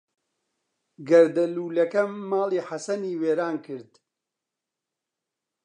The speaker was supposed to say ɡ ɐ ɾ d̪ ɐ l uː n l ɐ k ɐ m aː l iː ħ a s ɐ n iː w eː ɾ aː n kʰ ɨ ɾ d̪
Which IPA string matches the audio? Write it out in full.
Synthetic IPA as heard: ɡ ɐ ɾ d̪ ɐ l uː l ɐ k ɐ m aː l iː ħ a s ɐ n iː w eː ɾ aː n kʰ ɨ ɾ d̪